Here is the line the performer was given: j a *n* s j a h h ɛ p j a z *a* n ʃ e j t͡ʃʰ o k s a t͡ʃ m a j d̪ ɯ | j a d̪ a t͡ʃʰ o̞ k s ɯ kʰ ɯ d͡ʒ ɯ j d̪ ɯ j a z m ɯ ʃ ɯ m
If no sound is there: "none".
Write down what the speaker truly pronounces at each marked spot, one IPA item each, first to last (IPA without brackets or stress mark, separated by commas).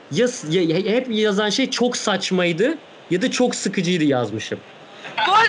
none, a